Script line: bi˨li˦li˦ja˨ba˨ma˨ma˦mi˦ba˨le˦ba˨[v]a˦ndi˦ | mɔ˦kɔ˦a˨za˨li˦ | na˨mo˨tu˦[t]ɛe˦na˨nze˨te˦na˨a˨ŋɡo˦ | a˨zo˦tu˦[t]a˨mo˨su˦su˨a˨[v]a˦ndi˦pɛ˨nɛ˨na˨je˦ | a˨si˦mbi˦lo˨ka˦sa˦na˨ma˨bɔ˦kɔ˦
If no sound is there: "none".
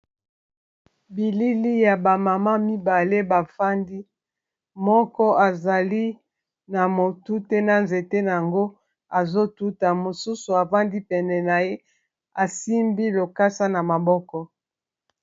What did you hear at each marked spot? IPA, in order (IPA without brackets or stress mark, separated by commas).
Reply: f, t, t, v